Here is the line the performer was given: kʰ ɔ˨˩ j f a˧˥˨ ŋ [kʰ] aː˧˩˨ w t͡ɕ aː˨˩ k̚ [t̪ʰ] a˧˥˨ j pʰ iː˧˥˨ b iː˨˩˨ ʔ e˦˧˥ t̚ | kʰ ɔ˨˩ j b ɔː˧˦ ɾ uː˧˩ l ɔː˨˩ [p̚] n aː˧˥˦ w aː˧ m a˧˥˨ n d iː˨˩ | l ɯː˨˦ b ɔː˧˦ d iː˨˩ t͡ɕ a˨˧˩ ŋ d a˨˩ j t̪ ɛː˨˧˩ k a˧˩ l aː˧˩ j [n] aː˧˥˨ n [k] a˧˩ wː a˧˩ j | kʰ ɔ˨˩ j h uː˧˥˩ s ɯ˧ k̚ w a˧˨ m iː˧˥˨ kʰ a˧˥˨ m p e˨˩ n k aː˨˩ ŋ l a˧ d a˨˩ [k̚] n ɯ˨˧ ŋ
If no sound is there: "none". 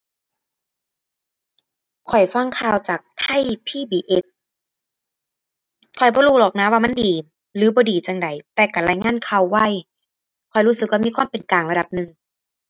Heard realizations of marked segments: kʰ, t̪ʰ, k̚, ŋ, kʰ, p̚

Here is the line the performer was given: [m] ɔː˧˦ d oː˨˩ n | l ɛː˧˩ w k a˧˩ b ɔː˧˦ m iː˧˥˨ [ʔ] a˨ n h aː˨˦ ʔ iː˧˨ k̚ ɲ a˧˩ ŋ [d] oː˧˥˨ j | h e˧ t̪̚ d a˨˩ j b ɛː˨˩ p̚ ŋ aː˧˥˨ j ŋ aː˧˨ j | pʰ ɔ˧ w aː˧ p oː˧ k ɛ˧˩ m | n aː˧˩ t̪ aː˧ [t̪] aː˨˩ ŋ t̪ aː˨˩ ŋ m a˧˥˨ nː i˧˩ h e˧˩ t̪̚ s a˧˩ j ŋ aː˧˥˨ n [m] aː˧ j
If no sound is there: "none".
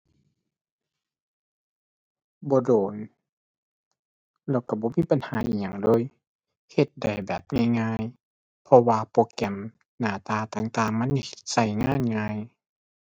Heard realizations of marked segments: b, p, d, t̪, ŋ

